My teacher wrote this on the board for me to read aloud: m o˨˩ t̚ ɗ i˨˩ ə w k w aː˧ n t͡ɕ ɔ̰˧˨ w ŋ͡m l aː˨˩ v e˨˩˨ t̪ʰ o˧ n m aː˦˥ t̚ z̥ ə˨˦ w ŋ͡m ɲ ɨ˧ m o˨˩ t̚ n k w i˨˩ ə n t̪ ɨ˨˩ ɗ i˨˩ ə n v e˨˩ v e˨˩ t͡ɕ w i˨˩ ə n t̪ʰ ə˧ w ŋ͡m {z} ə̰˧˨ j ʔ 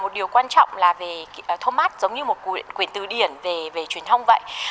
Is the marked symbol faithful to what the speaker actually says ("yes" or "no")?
no